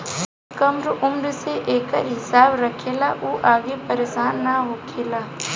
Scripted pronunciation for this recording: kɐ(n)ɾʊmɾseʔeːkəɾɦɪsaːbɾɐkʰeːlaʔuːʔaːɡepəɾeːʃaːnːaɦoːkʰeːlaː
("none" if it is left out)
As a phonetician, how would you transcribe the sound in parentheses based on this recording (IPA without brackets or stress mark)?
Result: m